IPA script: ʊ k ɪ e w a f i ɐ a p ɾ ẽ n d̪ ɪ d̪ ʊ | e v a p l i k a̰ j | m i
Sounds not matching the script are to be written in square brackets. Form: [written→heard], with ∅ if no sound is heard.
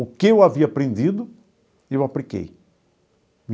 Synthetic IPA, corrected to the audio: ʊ k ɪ e w a [f→v] i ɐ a p ɾ ẽ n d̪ [ɪ→i] d̪ ʊ | e [v→w] a p l i k [a̰→ḛ] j | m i